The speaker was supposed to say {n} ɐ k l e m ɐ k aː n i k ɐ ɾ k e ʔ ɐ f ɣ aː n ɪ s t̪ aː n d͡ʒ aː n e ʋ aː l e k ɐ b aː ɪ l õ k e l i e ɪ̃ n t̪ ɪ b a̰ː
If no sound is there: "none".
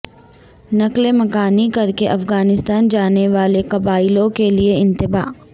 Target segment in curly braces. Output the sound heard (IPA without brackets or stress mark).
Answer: n